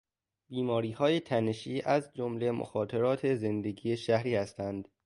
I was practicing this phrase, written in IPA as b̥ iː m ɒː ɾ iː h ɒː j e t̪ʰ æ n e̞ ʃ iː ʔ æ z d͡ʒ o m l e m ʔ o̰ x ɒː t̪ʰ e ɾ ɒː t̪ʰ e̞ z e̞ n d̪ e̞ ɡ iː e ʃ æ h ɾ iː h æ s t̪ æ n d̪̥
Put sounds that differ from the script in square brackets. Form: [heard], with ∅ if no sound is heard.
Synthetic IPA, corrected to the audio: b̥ iː m ɒː ɾ iː h ɒː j e t̪ʰ æ n e̞ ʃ iː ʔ æ z d͡ʒ o m l e m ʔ o̰ x ɒː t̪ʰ e ɾ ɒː t̪ʰ e̞ z e̞ n d̪ e̞ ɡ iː e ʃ æ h ɾ iː h æ s t̪ æ n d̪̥